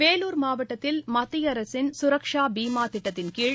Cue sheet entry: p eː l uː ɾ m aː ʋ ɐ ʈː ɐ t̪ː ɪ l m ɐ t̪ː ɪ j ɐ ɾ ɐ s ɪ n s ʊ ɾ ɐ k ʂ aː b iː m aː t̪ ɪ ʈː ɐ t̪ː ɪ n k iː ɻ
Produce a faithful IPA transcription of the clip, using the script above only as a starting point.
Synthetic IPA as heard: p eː l uː ɾ m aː ʋ ɐ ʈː ɐ t̪ː ɪ l m ɐ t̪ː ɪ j ɐ ɾ ɐ s ɪ n s ʊ ɾ ɐ k ʂ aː b iː m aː t̪ ɪ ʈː ɐ t̪ː ɪ n k iː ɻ